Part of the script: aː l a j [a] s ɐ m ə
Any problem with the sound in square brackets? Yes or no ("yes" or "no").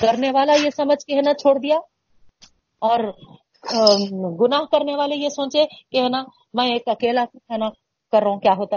yes